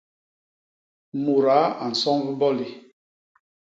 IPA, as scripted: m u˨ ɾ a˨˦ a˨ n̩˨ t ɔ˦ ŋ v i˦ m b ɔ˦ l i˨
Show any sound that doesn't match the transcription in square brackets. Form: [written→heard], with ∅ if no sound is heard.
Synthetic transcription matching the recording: m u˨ ɾ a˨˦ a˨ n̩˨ [t→s] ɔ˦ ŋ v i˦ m b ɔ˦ l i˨